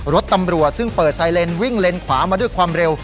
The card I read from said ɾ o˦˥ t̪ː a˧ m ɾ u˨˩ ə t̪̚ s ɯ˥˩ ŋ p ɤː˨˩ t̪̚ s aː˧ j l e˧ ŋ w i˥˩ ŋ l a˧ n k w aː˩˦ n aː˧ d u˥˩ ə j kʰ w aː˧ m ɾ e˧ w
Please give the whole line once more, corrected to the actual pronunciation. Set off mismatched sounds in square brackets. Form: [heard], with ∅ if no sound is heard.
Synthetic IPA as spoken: ɾ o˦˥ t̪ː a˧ m ɾ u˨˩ ə t̪̚ s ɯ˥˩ ŋ p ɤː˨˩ t̪̚ s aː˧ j l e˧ [n] w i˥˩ ŋ l [e˧] n [kʰ] w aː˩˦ [m] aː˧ d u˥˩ ə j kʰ w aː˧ m ɾ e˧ w